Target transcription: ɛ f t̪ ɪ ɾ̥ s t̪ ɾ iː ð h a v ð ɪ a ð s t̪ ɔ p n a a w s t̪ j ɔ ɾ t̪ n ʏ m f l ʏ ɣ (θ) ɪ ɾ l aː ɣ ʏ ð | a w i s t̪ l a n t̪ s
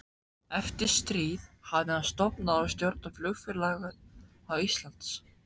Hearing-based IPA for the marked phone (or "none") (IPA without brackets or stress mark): f